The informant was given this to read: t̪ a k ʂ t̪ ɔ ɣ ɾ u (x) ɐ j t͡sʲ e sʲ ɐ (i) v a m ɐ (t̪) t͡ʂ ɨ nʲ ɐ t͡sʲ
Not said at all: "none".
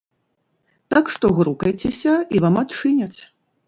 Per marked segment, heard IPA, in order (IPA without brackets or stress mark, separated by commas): k, i, t̪